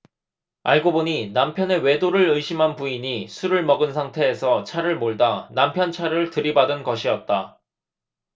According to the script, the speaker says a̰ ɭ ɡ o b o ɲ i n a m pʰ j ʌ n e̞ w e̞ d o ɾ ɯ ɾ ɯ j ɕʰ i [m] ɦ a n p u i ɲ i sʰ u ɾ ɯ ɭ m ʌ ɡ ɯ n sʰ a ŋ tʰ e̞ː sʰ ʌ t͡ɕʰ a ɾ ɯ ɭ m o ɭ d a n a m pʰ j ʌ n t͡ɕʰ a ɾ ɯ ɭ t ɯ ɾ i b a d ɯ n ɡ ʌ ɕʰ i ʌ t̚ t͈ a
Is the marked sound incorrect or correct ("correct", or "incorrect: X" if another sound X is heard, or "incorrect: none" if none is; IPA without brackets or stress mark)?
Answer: correct